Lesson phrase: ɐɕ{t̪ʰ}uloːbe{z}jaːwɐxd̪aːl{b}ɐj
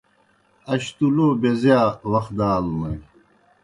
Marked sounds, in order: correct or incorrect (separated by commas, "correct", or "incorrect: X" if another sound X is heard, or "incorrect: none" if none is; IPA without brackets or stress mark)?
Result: incorrect: t̪, correct, incorrect: m